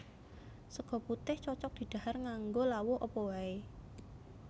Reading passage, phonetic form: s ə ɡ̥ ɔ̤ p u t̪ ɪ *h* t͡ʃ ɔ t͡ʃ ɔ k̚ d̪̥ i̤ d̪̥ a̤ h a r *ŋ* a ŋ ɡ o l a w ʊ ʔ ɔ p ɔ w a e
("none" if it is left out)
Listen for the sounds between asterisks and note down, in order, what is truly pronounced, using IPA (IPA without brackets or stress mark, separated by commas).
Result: h, ŋ